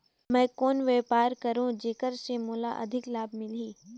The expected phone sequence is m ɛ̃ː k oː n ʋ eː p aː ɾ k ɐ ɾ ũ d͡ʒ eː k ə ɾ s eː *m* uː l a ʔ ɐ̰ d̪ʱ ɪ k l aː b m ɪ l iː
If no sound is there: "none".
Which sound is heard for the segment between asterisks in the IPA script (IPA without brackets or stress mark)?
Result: m